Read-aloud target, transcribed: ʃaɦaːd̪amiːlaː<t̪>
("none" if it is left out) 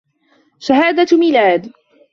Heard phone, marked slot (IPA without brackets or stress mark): d̪